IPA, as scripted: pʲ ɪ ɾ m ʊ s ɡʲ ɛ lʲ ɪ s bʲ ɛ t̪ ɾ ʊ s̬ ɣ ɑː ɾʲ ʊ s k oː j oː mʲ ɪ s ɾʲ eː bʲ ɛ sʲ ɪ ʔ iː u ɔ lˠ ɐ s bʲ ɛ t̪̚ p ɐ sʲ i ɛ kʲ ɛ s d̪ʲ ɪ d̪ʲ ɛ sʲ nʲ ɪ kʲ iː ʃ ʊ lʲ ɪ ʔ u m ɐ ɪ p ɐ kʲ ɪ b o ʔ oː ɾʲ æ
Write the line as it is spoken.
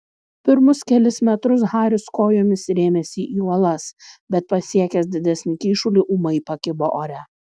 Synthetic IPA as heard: pʲ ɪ ɾ m ʊ s kʲ ɛ lʲ ɪ s mʲ ɛ t̪ ɾ ʊ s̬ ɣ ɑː ɾʲ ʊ s k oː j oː mʲ ɪ s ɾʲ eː mʲ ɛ sʲ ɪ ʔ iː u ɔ lˠ ɐ s bʲ ɛ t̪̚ p ɐ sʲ i ɛ kʲ ɛ s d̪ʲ ɪ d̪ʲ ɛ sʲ nʲ ɪ kʲ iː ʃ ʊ lʲ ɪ ʔ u m ɐ ɪ p ɐ kʲ ɪ b o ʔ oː ɾʲ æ